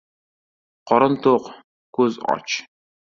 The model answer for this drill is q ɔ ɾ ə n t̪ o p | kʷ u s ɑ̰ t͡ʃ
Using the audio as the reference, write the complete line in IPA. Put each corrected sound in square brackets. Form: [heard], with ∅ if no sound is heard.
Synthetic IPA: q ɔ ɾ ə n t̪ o [q] | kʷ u [z] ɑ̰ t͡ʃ